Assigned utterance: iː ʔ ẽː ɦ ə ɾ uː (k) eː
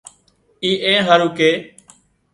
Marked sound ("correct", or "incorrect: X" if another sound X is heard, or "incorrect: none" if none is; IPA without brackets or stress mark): correct